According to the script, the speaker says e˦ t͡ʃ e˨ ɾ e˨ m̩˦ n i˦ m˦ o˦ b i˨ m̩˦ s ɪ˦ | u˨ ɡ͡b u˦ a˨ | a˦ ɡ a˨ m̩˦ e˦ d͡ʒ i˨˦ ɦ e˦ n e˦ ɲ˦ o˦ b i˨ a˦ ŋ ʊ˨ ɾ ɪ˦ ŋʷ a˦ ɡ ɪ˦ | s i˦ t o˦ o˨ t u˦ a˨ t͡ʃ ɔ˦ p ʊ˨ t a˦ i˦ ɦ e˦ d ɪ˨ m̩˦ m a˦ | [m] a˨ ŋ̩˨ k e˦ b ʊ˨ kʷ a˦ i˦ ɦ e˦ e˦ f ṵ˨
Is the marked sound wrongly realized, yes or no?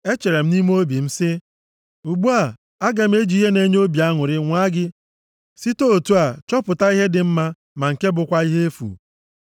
no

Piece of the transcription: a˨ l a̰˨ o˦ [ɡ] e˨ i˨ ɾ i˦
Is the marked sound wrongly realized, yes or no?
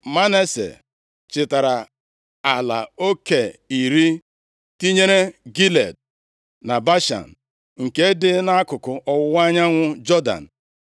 yes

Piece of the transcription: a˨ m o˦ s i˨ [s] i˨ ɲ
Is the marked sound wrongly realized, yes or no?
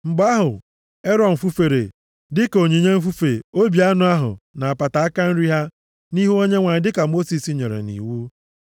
no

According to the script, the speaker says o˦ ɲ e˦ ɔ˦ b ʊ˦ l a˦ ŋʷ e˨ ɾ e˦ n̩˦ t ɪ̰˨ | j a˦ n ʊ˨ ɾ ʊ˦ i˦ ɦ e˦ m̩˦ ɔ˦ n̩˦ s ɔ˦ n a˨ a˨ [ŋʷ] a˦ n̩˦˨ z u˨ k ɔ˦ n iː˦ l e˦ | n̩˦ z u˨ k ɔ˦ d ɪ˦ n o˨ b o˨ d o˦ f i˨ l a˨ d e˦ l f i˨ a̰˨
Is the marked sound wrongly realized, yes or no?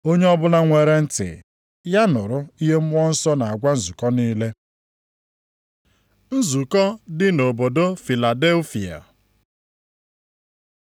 yes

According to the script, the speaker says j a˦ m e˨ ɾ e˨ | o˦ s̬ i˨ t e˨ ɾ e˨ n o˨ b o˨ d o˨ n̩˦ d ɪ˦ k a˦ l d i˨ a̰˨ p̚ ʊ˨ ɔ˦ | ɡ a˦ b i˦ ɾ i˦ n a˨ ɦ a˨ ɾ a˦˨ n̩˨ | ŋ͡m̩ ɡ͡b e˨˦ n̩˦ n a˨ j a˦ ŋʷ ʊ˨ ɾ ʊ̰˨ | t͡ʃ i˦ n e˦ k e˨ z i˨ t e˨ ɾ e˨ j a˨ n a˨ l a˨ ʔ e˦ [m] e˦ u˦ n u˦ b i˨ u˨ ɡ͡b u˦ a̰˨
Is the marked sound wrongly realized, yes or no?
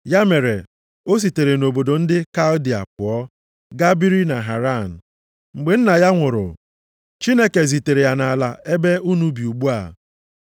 yes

